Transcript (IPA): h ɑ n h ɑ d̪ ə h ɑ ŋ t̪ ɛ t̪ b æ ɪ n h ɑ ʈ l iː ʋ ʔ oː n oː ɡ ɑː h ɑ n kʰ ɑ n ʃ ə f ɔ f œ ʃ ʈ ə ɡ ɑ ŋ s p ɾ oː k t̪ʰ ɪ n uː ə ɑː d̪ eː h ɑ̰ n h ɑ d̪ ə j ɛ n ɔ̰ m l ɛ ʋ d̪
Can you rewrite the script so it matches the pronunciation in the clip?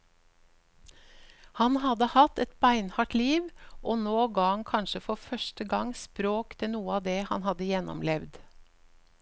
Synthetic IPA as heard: h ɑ n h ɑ d̪ ə h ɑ t̪ ɛ t̪ b æ ɪ n h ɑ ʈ l iː ʋ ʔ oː n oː ɡ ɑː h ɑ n kʰ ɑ n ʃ ə f ɔ f œ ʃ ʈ ə ɡ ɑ ŋ s p ɾ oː k t̪ʰ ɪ n uː ə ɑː d̪ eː h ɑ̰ n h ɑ d̪ ə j ɛ n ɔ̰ m l ɛ ʋ d̪